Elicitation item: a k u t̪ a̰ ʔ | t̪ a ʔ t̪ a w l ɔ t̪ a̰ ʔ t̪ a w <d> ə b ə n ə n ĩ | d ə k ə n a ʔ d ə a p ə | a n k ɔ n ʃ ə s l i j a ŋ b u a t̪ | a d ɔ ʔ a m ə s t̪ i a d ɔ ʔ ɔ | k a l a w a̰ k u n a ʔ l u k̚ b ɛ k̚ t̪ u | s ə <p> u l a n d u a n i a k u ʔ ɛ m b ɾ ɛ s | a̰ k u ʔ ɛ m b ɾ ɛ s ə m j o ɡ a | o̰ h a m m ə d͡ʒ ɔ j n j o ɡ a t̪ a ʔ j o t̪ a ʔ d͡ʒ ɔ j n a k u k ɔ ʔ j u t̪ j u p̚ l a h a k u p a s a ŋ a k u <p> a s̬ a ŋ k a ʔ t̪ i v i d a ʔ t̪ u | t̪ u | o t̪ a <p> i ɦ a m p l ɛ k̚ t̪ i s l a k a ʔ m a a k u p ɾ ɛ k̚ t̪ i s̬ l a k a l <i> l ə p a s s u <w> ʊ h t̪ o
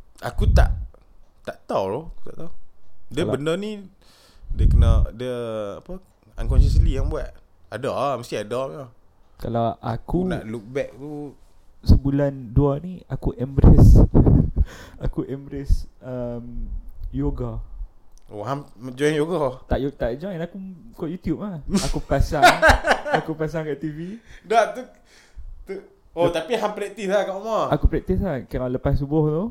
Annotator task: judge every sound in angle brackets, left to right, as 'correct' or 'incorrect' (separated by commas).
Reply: correct, incorrect, correct, correct, incorrect, incorrect